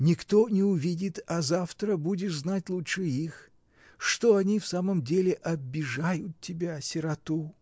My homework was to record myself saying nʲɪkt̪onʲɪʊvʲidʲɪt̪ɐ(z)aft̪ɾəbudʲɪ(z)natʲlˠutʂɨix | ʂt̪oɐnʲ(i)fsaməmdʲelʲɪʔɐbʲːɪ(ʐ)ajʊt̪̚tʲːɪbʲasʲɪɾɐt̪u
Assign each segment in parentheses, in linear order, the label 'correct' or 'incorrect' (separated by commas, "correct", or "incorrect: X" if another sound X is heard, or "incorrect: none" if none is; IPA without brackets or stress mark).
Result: correct, correct, correct, correct